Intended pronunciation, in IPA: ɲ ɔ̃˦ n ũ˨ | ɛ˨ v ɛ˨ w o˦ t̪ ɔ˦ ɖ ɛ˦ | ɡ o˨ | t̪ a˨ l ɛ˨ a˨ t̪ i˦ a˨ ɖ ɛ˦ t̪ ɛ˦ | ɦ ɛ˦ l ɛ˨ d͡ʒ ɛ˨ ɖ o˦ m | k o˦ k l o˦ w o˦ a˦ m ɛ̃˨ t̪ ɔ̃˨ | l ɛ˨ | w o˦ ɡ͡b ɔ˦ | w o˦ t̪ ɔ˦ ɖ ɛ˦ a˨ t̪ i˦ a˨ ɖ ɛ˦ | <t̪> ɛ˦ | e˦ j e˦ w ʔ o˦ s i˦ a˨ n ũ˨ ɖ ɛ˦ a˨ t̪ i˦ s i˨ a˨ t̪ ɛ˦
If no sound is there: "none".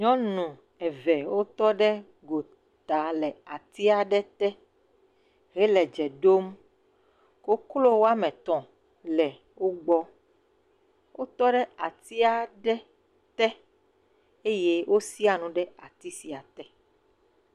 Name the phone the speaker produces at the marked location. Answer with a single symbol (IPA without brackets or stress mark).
t̪